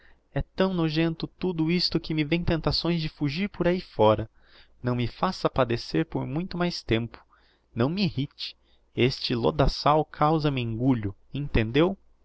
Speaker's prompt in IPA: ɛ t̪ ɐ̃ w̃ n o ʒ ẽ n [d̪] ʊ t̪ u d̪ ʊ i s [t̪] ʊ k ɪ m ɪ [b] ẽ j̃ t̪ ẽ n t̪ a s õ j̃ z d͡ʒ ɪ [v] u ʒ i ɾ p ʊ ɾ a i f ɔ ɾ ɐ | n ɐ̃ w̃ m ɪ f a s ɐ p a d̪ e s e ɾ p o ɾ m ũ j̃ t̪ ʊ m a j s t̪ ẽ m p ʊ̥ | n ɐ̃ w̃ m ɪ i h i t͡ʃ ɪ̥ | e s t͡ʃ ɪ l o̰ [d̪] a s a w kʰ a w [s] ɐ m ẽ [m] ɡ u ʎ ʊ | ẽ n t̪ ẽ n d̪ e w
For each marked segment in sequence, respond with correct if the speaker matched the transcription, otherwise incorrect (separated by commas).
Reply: incorrect, correct, incorrect, incorrect, correct, incorrect, incorrect